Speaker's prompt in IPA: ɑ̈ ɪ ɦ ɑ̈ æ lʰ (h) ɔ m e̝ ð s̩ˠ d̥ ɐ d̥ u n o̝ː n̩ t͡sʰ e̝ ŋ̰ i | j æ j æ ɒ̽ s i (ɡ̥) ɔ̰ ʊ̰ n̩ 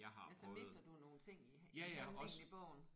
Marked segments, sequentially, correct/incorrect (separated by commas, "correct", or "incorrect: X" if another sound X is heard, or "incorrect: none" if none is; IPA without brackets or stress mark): incorrect: s, incorrect: b̥